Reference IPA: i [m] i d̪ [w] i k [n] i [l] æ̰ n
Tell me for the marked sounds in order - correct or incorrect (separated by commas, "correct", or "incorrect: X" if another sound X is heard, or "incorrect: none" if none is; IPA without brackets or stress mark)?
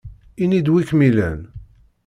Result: incorrect: n, correct, incorrect: m, correct